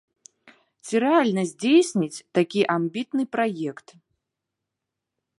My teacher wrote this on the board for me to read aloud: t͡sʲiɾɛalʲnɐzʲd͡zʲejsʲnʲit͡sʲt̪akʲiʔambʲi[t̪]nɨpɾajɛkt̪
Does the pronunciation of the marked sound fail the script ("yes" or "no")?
no